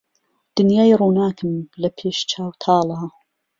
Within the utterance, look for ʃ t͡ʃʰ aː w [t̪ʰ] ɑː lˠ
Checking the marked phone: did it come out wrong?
no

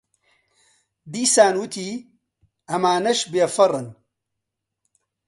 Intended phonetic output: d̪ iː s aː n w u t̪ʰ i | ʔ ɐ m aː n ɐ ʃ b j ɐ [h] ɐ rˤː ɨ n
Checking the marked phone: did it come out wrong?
yes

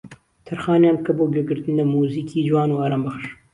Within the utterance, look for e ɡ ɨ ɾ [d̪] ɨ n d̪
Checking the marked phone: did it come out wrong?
yes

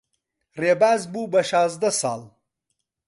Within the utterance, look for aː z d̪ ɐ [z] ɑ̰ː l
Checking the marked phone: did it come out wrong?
yes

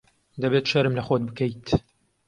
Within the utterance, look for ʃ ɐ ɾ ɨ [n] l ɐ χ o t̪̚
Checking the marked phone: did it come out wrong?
yes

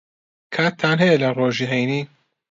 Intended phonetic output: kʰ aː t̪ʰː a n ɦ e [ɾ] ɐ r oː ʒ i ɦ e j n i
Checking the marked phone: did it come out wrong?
yes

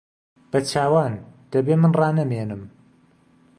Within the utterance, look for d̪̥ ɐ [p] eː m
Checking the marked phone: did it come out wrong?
yes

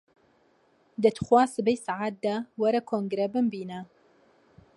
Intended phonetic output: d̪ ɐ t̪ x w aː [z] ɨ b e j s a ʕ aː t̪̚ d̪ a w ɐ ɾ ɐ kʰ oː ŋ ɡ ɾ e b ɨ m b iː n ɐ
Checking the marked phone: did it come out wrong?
yes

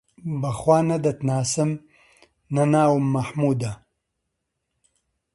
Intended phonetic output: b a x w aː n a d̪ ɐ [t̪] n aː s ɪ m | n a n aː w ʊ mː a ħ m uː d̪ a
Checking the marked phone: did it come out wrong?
no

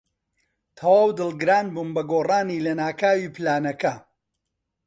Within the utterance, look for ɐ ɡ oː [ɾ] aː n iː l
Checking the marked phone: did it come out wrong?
yes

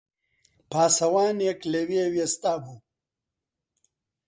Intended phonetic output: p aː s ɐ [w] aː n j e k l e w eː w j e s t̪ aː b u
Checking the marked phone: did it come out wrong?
no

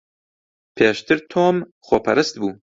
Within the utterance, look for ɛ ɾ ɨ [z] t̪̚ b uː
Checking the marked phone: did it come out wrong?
yes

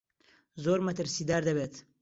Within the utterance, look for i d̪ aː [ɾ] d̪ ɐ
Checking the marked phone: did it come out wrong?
no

